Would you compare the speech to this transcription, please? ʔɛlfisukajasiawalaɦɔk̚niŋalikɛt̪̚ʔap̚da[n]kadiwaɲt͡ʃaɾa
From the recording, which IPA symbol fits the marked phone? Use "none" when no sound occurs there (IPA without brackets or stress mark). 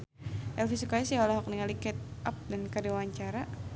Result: n